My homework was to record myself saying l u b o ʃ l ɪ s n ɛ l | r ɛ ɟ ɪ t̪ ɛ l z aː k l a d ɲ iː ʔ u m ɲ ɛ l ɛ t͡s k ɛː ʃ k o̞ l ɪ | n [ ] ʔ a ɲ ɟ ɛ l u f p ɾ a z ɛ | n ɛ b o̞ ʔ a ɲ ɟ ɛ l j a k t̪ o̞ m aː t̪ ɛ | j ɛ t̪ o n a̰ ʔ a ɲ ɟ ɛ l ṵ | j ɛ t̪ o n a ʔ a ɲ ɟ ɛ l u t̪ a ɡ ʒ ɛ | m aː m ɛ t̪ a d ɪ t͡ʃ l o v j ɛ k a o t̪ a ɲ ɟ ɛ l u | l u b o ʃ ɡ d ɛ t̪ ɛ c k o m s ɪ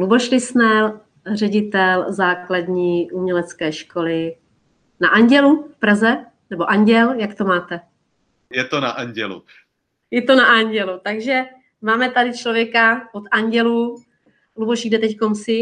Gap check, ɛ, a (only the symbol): a